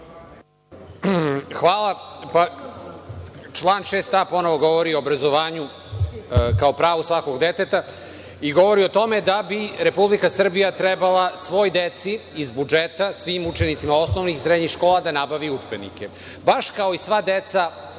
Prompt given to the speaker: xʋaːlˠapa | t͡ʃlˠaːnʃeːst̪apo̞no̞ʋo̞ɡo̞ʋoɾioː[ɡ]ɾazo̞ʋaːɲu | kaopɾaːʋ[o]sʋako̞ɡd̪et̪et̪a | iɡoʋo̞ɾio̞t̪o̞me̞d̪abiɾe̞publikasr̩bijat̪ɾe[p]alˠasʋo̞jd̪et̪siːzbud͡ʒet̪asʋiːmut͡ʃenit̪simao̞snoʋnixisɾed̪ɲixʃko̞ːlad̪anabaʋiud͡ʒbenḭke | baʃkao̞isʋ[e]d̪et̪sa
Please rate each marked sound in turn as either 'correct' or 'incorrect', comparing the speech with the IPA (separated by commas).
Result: incorrect, incorrect, incorrect, incorrect